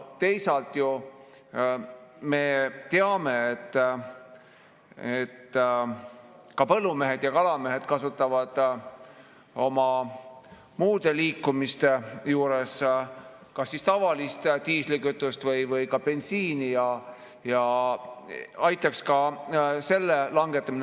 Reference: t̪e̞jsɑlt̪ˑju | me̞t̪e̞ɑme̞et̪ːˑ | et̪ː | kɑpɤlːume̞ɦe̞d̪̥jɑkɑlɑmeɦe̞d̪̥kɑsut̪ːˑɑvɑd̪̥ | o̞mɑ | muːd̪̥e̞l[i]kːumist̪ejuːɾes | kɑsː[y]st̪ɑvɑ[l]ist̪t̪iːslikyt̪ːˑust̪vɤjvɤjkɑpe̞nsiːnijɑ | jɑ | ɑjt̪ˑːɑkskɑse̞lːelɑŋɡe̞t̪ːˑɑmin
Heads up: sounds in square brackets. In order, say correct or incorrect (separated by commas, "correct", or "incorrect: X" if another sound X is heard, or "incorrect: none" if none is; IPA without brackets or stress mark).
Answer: incorrect: iː, incorrect: i, correct